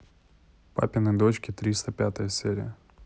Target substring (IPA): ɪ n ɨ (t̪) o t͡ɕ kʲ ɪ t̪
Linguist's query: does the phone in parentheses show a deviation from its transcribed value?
yes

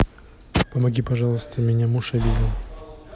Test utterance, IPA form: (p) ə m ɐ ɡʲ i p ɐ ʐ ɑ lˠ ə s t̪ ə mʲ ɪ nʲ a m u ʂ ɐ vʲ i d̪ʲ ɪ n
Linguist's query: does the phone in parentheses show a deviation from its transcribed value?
no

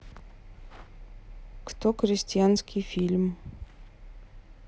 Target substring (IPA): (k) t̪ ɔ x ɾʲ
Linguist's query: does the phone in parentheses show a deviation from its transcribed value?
no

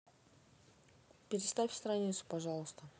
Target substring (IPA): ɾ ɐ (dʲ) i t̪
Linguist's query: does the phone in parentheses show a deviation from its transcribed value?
yes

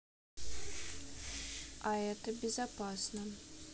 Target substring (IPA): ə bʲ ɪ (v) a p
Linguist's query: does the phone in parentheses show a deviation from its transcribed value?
yes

